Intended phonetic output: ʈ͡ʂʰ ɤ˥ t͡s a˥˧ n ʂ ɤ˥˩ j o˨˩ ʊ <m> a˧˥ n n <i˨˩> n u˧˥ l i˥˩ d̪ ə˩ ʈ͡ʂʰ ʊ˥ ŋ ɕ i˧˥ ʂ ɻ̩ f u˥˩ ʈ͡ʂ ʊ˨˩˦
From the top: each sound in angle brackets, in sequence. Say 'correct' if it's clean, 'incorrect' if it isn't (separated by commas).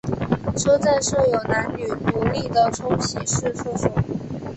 incorrect, incorrect